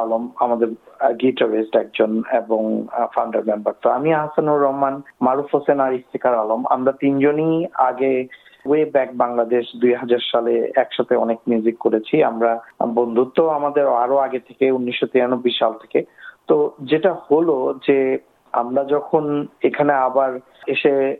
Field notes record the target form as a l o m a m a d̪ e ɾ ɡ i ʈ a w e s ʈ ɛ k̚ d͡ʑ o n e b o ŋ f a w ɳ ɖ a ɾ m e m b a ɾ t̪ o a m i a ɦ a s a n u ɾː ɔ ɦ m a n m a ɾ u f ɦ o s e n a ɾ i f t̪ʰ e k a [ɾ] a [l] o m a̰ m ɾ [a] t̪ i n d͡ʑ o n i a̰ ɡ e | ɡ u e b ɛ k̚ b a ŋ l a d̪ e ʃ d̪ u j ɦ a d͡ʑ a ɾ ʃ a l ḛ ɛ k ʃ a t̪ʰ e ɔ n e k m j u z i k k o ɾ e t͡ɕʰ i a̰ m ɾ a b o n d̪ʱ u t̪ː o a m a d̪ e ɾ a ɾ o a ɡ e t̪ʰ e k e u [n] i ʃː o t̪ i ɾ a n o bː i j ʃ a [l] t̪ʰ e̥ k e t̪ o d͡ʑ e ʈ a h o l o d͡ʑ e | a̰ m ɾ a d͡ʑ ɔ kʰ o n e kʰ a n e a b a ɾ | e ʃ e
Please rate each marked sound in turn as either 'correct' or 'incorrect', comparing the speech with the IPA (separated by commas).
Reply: correct, correct, correct, incorrect, correct